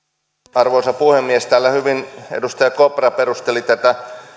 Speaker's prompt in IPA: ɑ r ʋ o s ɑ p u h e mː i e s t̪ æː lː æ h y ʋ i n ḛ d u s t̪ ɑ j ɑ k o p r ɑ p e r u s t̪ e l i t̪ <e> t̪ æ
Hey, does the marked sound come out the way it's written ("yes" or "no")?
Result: no